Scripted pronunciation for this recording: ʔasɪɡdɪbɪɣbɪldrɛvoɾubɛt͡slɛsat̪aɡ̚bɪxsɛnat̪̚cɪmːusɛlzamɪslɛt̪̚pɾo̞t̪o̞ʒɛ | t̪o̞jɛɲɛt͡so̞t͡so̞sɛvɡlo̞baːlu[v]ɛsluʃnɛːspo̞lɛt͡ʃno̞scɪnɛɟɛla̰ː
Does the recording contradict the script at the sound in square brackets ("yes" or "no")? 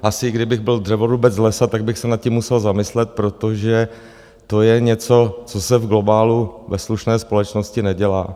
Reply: no